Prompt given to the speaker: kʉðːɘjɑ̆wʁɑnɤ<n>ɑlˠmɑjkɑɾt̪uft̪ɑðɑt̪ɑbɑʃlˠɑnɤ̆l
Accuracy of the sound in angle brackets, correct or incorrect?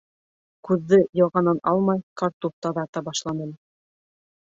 correct